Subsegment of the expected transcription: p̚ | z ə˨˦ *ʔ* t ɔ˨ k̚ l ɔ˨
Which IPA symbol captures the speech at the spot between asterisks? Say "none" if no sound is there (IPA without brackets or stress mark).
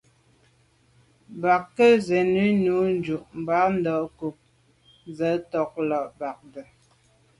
none